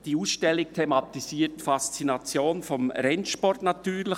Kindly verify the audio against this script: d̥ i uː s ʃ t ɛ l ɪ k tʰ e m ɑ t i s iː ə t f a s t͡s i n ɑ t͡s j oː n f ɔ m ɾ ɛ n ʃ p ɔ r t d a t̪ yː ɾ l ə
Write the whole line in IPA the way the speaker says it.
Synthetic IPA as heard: d̥ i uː s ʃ t ɛ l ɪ k tʰ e m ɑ t i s iː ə t f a s t͡s i n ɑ t͡s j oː n f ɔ m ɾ ɛ n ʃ p ɔ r t n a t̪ yː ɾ l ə